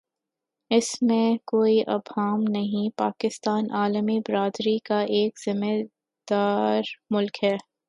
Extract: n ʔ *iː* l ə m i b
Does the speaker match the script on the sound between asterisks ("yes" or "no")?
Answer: no